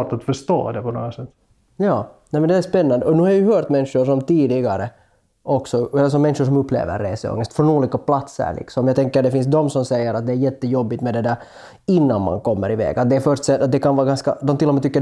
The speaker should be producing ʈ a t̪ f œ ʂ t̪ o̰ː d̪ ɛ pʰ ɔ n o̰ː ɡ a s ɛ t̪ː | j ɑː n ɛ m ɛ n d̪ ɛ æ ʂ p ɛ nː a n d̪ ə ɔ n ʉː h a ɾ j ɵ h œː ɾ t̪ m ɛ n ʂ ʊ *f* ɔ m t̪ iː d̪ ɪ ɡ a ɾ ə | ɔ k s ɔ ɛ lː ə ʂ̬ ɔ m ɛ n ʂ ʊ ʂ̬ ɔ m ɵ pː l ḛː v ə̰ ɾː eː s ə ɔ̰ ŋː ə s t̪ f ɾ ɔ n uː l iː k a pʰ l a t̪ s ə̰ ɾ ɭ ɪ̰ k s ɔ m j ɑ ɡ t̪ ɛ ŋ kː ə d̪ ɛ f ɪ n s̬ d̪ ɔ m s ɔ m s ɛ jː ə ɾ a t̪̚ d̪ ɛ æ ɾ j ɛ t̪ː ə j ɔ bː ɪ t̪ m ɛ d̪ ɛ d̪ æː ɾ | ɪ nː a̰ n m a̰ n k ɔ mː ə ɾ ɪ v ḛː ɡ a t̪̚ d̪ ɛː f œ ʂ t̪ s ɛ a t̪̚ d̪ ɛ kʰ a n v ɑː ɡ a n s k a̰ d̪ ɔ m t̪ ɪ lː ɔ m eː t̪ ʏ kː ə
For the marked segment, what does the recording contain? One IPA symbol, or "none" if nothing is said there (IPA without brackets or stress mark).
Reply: ʂ